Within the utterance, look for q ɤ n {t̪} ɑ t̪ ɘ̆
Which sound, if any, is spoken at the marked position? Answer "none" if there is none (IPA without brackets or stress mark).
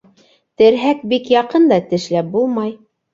d̪